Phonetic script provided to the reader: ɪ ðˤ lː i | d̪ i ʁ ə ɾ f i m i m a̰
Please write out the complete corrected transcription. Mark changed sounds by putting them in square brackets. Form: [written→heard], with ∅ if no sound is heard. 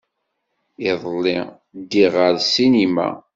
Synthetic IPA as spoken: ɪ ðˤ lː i | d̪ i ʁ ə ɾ [f→s] i [m→n] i m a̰